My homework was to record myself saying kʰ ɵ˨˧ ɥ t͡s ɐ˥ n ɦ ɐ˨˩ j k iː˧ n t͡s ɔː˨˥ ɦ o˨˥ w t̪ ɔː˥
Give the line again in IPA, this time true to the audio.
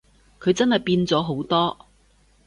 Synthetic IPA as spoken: kʰ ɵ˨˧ ɥ t͡s ɐ˥ n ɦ ɐ˨˩ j p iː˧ n t͡s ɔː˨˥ ɦ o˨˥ w t̪ ɔː˥

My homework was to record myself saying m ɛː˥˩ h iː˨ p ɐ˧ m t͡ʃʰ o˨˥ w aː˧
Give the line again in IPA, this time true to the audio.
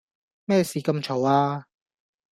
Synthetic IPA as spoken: m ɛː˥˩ s iː˨ k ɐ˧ m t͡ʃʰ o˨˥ w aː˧

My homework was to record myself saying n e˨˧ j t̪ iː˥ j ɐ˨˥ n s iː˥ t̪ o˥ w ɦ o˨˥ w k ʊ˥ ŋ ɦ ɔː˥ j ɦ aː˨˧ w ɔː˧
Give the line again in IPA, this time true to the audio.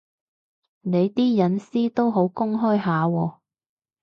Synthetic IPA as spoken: n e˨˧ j t̪ iː˥ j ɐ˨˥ n s iː˥ t̪ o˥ w ɦ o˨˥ w k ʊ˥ ŋ ɦ ɔː˥ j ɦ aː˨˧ w ɔː˧

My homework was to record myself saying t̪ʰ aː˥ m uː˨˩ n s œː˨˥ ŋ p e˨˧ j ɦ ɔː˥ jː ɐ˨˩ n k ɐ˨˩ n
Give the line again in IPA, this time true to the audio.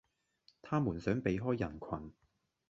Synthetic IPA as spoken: t̪ʰ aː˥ m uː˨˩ n s œː˨˥ ŋ p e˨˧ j ɦ ɔː˥ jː ɐ˨˩ n kʰ ɐ˨˩ n

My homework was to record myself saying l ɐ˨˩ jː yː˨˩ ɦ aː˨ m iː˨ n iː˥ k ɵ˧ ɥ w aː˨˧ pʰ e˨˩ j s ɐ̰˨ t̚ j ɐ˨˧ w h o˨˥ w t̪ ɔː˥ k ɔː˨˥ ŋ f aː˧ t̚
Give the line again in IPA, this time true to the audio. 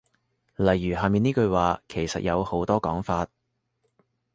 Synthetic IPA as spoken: l ɐ˨˩ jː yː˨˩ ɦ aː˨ m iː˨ n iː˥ k ɵ˧ ɥ w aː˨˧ kʰ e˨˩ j s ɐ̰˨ t̚ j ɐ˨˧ w h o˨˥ w t̪ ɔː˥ k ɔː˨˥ ŋ f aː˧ t̚

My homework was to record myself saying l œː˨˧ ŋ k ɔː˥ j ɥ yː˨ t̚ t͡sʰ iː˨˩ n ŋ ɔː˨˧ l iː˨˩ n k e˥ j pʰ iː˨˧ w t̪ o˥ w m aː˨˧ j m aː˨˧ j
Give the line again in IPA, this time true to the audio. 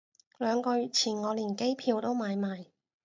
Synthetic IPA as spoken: l œː˨˧ ŋ k ɔː˧ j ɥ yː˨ t̚ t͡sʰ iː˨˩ n ŋ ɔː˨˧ l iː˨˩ n k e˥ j pʰ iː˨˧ w t̪ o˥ w m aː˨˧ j m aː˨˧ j

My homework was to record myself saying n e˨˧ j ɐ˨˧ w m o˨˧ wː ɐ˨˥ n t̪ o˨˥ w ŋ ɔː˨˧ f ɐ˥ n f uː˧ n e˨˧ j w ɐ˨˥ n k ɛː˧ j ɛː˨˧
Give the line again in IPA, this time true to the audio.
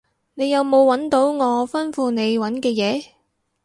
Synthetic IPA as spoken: n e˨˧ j ɐ˨˧ w m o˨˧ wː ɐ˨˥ n t̪ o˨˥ w ŋ ɔː˨˧ f ɐ˥ n f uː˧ n e˨˧ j w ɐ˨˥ n k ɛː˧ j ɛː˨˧

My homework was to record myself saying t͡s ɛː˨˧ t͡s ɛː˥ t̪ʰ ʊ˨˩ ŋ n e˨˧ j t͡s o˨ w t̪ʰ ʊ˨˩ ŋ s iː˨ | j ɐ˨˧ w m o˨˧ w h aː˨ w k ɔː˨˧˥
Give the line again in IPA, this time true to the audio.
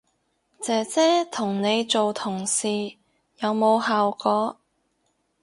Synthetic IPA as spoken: t͡s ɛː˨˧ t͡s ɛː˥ t̪ʰ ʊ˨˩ ŋ n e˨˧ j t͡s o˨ w t̪ʰ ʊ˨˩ ŋ s iː˨ | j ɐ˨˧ w m o˨˧ w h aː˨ w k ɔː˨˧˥

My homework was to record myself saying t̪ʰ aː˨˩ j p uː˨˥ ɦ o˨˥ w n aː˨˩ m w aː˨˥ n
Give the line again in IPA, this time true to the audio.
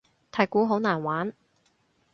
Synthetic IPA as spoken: t̪ʰ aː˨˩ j k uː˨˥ ɦ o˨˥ w n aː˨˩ n w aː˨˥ n

